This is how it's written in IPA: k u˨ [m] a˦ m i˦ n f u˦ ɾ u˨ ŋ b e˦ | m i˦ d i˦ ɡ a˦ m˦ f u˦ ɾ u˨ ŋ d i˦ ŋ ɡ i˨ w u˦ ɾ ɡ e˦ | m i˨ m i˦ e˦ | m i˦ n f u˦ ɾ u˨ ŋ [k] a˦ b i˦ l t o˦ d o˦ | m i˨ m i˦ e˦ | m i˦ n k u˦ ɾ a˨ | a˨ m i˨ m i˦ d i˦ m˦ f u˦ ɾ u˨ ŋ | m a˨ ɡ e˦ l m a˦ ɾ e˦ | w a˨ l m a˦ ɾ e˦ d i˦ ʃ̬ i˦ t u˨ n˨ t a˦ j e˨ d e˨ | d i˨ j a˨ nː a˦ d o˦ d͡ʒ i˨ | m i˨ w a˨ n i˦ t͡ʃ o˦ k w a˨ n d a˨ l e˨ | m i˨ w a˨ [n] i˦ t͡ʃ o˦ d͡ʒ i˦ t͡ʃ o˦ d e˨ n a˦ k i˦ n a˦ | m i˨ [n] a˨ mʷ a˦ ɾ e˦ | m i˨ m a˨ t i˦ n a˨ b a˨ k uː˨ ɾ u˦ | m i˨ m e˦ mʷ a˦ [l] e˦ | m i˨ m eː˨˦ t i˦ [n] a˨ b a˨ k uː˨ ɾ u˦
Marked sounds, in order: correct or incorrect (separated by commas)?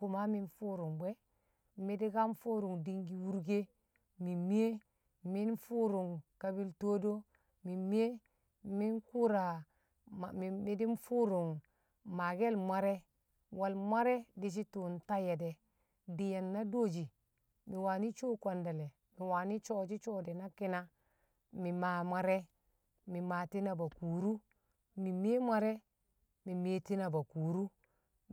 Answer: correct, correct, correct, incorrect, incorrect, correct